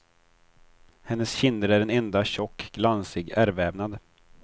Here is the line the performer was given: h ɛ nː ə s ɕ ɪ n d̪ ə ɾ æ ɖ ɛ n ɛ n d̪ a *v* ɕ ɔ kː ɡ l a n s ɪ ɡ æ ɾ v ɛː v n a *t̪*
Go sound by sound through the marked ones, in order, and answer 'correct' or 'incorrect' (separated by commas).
incorrect, incorrect